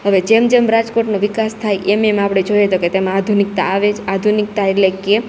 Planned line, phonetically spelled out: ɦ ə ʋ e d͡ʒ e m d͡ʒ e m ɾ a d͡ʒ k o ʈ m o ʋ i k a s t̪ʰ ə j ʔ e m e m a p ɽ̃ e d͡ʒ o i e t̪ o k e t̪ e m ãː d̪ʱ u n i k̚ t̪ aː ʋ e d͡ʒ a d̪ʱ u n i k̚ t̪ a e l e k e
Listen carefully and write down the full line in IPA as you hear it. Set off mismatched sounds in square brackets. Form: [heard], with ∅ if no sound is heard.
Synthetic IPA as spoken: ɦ ə ʋ e d͡ʒ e m d͡ʒ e m ɾ a d͡ʒ k o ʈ [n] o ʋ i k a s t̪ʰ [a] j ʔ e m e m a p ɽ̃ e d͡ʒ o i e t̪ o k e t̪ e m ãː d̪ʱ u n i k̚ t̪ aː ʋ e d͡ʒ a d̪ʱ u n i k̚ t̪ a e l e k e